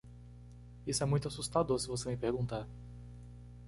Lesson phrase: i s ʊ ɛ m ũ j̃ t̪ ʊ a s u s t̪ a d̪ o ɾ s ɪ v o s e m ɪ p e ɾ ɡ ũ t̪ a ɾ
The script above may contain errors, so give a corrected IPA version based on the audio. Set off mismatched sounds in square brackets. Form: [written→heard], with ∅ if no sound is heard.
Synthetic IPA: i s ʊ ɛ m ũ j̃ t̪ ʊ a s u s t̪ a d̪ o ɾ s ɪ v o s e m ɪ p e ɾ ɡ ũ t̪ a ɾ